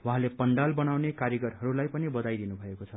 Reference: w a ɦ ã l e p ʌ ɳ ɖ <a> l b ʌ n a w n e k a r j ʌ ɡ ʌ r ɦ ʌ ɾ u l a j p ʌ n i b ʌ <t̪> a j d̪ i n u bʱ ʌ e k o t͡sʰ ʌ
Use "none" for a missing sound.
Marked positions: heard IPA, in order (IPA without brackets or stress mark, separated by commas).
a, d̪